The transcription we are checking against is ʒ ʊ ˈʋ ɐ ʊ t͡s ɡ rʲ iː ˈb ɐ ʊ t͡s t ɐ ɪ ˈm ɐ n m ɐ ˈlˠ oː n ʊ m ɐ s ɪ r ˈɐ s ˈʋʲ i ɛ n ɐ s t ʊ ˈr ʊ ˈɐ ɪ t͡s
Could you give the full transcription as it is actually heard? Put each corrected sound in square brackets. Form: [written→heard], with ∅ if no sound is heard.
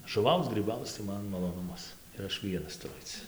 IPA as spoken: ʒ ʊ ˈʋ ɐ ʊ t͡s ɡ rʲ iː ˈb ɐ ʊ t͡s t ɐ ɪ ˈm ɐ n m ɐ ˈlˠ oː n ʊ m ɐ s ɪ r ˈɐ [s→ʃ] ˈʋʲ i ɛ n ɐ s t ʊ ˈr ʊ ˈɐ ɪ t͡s